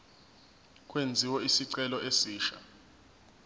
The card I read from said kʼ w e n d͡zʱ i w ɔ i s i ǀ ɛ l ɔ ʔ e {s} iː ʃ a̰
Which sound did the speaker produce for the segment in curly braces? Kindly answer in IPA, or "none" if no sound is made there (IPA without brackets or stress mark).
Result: s